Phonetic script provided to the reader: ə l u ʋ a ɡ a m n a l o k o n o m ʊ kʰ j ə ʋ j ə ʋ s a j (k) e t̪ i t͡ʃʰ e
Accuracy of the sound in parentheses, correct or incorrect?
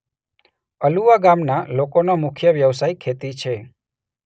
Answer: incorrect